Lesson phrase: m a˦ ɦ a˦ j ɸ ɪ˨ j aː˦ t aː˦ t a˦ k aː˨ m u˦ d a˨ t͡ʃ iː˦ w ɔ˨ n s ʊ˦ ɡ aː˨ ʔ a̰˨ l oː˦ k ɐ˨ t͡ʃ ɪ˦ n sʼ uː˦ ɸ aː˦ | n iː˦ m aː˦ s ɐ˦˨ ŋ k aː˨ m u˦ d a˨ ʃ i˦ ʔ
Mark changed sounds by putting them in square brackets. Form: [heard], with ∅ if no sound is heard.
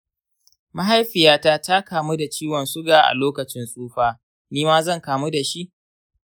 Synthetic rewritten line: m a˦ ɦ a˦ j ɸ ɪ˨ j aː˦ t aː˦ t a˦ k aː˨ m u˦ d a˨ t͡ʃ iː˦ w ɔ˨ n s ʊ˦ ɡ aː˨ ʔ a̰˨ l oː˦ k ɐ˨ t͡ʃ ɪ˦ n sʼ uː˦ ɸ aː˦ | n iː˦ m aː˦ [z] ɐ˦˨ ŋ k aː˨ m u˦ d a˨ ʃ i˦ ʔ